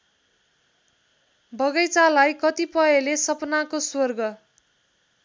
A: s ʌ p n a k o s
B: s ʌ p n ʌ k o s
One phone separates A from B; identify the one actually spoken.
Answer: A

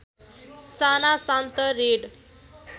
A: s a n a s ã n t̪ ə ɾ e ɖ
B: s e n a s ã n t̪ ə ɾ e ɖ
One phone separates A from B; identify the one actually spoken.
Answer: A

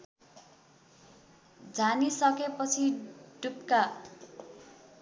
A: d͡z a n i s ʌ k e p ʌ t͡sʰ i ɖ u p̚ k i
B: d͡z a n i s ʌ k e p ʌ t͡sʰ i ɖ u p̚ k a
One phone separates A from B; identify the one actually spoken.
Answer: B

